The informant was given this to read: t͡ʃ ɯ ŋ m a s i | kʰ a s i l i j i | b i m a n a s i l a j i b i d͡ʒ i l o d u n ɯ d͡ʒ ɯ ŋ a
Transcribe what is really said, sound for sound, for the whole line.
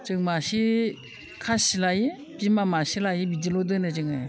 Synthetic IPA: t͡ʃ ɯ ŋ m a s i | kʰ a s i l a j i | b i m a m a s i l a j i b i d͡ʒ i l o d ɯ n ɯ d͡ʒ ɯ ŋ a